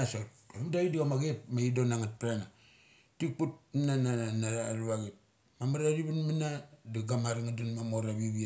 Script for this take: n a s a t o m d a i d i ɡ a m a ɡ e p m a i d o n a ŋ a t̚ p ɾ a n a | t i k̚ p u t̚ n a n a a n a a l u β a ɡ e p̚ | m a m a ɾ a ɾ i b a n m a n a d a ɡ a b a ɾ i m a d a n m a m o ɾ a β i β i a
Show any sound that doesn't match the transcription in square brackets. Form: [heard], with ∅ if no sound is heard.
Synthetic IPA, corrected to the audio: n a s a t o m d a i d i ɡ a m a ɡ e p m a i d o n a ŋ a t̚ p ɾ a n a | t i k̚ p u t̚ n a n a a n a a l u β a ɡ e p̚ | m a m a ɾ a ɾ i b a n m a n a d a ɡ a [m] a ɾ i [ŋ] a d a n m a m o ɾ a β i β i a